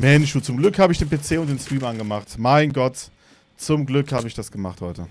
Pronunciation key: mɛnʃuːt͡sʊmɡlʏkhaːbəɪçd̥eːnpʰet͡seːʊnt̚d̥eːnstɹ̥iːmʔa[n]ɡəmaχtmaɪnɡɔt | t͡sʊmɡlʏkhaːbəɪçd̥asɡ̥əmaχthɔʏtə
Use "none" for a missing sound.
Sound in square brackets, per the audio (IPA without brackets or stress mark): n